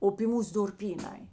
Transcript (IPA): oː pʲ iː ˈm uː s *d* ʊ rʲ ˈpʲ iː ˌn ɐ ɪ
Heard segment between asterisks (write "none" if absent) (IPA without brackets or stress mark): d